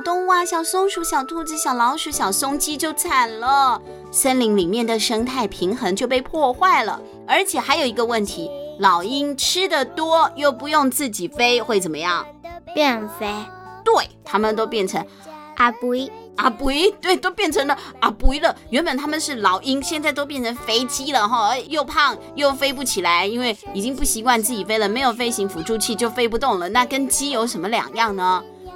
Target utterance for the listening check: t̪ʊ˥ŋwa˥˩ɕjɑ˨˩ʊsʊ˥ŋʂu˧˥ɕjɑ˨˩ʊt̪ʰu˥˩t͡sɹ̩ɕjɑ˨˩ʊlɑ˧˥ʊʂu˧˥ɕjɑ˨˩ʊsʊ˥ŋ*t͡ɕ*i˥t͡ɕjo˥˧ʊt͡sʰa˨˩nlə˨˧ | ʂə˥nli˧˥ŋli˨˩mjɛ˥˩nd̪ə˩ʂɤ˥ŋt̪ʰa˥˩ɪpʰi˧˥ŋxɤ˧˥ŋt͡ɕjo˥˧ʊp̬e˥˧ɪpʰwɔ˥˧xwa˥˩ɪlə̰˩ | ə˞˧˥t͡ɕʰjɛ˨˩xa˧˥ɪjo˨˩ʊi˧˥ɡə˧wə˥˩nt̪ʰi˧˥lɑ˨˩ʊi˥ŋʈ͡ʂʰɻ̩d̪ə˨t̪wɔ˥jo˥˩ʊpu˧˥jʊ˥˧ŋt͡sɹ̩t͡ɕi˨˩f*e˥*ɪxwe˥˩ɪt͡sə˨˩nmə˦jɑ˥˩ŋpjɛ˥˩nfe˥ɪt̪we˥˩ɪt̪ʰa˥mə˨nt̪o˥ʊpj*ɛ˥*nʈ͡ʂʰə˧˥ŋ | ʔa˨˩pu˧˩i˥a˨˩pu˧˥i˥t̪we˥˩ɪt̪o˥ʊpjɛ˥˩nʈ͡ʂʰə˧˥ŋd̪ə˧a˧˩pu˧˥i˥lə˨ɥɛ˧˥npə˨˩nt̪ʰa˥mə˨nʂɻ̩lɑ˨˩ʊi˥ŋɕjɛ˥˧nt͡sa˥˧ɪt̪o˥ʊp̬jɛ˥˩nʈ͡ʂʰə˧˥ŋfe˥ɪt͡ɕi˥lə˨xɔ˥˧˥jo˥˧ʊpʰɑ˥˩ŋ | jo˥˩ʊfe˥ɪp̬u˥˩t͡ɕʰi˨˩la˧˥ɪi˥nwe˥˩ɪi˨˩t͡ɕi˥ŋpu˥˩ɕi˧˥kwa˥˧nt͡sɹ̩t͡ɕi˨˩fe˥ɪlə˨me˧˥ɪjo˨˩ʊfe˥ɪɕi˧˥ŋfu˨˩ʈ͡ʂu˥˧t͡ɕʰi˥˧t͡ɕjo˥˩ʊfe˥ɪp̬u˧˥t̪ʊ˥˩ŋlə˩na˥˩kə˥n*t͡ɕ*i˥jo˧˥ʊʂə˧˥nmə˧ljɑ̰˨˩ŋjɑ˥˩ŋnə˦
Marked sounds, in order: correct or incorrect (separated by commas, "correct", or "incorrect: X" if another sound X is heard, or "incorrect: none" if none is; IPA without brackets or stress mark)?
correct, correct, incorrect: ɛ˥˩, correct